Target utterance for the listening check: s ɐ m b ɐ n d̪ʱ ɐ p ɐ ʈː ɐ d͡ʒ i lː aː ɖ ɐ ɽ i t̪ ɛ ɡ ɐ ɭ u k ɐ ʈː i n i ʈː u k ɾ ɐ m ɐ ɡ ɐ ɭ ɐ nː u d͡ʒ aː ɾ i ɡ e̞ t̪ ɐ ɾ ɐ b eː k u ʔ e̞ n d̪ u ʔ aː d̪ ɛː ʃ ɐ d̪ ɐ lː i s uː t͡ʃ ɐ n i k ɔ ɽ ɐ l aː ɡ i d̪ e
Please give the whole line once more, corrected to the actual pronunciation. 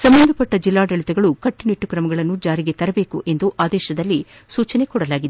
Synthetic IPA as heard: s ɐ m b ɐ n d̪ʱ ɐ p ɐ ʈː ɐ d͡ʒ i lː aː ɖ ɐ ɭ i t̪ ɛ ɡ ɐ ɭ u k ɐ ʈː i n i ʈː u k ɾ ɐ m ɐ ɡ ɐ ɭ ɐ nː u d͡ʒ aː ɾ i ɡ e̞ t̪ ɐ ɾ ɐ b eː k u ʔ e̞ n d̪ u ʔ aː d̪ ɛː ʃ ɐ d̪ ɐ lː i s uː t͡ʃ ɐ n e k ɔ ɽ ɐ l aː ɡ i d̪ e